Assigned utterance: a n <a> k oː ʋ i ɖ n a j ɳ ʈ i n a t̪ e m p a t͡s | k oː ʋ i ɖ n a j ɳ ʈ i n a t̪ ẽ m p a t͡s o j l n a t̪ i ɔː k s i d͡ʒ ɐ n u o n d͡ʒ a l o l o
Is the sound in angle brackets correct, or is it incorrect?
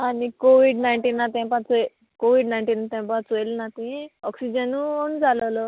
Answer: incorrect